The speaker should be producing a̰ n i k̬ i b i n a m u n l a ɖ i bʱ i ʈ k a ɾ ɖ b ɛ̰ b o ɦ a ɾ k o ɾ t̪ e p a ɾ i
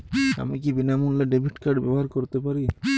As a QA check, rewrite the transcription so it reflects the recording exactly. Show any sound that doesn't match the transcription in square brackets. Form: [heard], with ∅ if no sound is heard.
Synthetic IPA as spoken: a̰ [m] i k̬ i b i n a m u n l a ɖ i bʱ i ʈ k a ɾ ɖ b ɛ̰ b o ɦ a ɾ k o ɾ t̪ e p a ɾ i